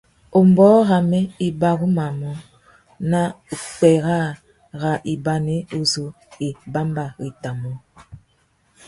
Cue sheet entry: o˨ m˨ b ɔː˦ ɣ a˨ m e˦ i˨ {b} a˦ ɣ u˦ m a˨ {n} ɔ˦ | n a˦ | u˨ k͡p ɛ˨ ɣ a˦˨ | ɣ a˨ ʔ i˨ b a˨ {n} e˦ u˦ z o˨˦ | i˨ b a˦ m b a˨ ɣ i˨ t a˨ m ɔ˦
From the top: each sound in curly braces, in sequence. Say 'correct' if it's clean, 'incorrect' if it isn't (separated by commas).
correct, incorrect, correct